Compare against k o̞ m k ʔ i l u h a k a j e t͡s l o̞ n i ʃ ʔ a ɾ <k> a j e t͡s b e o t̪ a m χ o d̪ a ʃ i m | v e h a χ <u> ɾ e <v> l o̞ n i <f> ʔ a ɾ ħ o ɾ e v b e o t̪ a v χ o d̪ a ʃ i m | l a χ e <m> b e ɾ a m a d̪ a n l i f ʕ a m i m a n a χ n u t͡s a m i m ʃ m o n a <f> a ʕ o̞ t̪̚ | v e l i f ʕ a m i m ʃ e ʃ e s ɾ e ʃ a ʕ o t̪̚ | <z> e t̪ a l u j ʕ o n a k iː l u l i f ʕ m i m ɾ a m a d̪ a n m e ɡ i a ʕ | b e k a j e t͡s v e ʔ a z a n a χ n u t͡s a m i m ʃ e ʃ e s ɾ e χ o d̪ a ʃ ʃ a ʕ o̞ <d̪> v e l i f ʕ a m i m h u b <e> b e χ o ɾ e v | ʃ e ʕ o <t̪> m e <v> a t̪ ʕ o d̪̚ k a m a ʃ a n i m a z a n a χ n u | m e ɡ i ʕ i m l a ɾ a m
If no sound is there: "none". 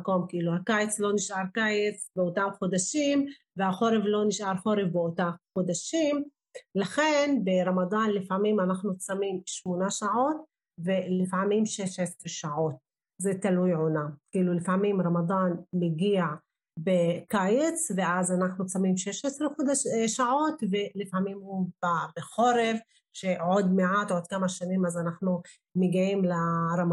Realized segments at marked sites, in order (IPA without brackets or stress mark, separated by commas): k, o, v, ʃ, n, ʃ, z, t̪, a, d̪, ʕ